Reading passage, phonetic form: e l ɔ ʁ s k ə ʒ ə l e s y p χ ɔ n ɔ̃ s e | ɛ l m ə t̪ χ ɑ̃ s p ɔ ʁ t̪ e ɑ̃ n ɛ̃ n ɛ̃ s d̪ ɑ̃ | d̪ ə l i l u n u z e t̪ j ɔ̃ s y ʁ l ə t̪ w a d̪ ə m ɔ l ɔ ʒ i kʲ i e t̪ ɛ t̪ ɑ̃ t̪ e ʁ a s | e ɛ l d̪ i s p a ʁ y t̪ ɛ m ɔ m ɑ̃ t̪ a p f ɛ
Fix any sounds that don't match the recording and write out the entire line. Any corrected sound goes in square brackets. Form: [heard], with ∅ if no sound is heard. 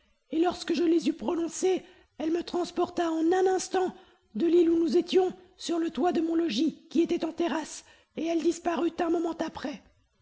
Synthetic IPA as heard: e l ɔ ʁ s k ə ʒ ə l e [z] y p χ ɔ n ɔ̃ s e | ɛ l m ə t̪ χ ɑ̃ s p ɔ ʁ t̪ [a] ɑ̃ n ɛ̃ n ɛ̃ s [t̪] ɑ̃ | d̪ ə l i l u n u z e t̪ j ɔ̃ s y ʁ l ə t̪ w a d̪ ə m [ɔ̃] l ɔ ʒ i kʲ i e t̪ ɛ t̪ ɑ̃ t̪ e ʁ a s | e ɛ l d̪ i s p a ʁ y t̪ [ɛ̃] m ɔ m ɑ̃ t̪ a p [χ] ɛ

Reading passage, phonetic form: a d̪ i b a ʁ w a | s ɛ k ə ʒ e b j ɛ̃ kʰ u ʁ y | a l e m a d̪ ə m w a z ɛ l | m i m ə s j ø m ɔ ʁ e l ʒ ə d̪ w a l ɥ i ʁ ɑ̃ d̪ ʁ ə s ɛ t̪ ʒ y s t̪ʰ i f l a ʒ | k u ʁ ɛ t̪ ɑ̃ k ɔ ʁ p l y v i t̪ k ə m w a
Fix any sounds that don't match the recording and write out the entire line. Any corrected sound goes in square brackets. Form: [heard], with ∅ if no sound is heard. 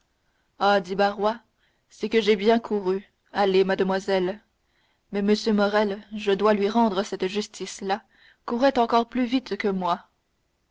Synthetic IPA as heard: a d̪ i b a ʁ w a | s ɛ k ə ʒ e b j ɛ̃ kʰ u ʁ y | a l e m a d̪ ə m w a z ɛ l | m [ɛ] m ə s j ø m ɔ ʁ [ɛ] l ʒ ə d̪ w a l ɥ i ʁ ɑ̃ d̪ ʁ ə s ɛ t̪ ʒ y s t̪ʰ i [s] l a [∅] | k u ʁ ɛ t̪ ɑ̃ k ɔ ʁ p l y v i t̪ k ə m w a

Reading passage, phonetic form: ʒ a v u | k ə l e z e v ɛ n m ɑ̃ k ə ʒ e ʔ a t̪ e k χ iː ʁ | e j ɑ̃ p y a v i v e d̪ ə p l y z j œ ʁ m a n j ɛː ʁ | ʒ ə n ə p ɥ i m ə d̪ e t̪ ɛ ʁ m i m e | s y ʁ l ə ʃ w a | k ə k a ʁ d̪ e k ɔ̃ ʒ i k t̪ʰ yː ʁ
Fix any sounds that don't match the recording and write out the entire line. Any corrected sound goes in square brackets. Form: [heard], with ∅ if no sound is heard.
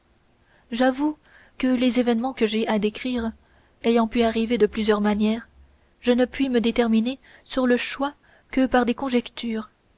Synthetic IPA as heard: ʒ a v u | k ə l e z e v ɛ n m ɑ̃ k ə ʒ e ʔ a [d̪] e k χ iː ʁ | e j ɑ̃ p y a [ʁ] i v e d̪ ə p l y z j œ ʁ m a n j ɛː ʁ | ʒ ə n ə p ɥ i m ə d̪ e t̪ ɛ ʁ m i [n] e | s y ʁ l ə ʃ w a | k ə [p] a ʁ d̪ e k ɔ̃ ʒ [ɛ] k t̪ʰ yː ʁ

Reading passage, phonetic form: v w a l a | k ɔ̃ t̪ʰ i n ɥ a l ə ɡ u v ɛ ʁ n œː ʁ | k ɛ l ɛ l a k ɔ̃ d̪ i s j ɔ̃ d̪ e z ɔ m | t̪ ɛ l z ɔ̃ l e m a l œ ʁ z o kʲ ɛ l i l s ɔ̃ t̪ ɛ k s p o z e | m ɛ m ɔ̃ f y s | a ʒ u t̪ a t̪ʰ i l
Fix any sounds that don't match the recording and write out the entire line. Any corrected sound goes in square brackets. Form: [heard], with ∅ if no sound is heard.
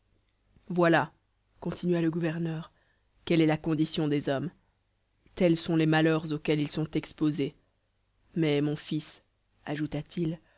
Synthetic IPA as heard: v w a l a | k ɔ̃ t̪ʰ i n ɥ a l ə ɡ u v ɛ ʁ n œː ʁ | k ɛ l ɛ l a k ɔ̃ d̪ i s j ɔ̃ d̪ e z ɔ m | t̪ ɛ l [s] ɔ̃ l e m a l œ ʁ z o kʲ ɛ l i l s ɔ̃ t̪ ɛ k s p o z e | m ɛ m ɔ̃ f [i] s | a ʒ u t̪ a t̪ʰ i l

